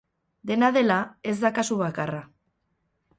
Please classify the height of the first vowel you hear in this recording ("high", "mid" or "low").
mid